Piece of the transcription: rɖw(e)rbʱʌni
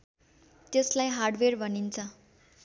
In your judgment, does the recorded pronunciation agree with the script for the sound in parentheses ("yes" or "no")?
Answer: yes